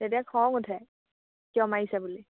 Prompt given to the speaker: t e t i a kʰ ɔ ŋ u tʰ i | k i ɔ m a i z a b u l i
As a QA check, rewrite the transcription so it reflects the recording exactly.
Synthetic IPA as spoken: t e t i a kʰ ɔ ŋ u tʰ ɛ | k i ɔ m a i s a b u l i